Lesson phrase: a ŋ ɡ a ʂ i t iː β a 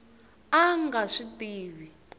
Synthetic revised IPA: a ŋ ɡ a ʂ i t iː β i